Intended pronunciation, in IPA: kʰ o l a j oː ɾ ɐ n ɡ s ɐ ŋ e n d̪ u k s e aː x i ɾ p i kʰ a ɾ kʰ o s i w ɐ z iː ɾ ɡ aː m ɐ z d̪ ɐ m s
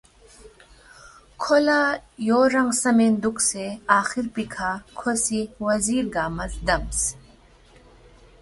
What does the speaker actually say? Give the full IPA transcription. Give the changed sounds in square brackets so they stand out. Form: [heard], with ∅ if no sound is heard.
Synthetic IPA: kʰ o l a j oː ɾ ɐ [ŋ] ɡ s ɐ [m] e n d̪ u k s e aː x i ɾ p i kʰ a [∅] kʰ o s i w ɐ z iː ɾ ɡ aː m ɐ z d̪ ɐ m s